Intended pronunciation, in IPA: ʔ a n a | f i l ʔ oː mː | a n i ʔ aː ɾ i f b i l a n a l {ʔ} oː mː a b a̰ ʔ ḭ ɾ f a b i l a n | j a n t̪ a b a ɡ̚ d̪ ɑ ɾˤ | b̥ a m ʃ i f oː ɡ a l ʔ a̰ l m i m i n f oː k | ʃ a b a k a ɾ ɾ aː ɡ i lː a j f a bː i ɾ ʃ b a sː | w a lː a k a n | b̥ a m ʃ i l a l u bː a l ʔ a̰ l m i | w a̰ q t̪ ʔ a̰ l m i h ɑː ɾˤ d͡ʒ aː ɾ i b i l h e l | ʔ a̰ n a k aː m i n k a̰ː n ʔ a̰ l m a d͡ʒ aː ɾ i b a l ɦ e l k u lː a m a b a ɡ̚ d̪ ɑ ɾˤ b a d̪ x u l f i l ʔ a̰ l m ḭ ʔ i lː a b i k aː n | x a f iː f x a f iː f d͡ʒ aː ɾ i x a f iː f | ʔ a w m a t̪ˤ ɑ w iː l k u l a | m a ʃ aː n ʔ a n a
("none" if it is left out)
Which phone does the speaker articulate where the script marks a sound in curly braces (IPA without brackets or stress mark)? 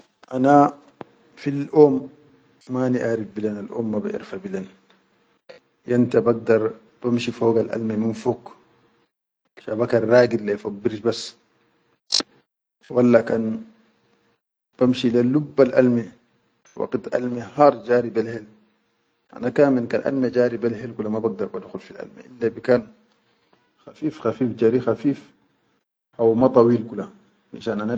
ʔ